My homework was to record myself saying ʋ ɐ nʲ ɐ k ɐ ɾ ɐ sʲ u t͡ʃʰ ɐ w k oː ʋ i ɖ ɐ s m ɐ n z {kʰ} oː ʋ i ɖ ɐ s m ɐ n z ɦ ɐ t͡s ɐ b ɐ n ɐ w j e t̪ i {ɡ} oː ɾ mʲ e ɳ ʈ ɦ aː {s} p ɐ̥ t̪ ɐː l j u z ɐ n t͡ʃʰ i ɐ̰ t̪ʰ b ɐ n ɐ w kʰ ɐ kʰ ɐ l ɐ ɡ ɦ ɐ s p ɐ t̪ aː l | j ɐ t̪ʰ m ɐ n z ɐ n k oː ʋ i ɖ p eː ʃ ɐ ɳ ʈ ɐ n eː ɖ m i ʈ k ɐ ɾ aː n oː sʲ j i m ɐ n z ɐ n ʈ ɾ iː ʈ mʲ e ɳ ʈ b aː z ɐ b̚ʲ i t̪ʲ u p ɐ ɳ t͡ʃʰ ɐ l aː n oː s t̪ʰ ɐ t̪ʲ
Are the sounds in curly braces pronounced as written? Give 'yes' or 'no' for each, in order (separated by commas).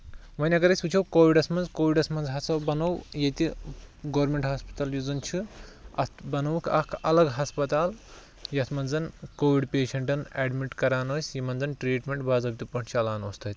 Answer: no, yes, yes